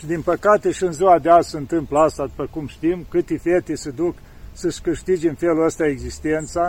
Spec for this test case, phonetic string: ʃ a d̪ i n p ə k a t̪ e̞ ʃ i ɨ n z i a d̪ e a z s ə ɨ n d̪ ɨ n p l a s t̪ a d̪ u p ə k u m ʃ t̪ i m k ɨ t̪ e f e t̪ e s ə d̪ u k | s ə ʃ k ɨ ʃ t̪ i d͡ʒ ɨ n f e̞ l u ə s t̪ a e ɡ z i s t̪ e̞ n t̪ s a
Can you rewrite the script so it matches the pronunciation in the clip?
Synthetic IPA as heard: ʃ i d̪ i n p ə k a t̪ e̞ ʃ i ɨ n z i a d̪ e a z s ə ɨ n t̪ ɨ m p l a s t̪ a d̪ u p ə k u m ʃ t̪ i m k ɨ t̪ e f e t̪ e s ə d̪ u k | s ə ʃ k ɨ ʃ t̪ i d͡ʒ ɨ n f e̞ l u ə s t̪ a e ɡ z i s t̪ e̞ n t̪ s a